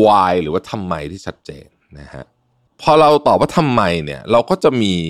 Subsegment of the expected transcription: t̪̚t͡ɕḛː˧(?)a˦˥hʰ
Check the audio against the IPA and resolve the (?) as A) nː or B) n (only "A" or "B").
A